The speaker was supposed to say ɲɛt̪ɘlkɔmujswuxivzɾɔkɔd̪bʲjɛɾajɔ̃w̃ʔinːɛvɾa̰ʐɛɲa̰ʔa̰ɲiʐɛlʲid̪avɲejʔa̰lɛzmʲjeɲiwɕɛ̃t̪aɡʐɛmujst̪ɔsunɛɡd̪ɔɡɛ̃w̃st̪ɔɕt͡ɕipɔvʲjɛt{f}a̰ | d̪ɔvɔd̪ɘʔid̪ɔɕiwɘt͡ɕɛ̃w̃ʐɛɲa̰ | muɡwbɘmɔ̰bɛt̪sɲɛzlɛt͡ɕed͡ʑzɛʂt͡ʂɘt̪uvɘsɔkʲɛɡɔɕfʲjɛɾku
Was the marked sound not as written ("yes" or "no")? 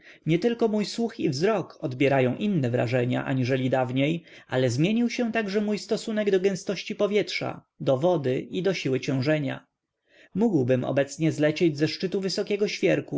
yes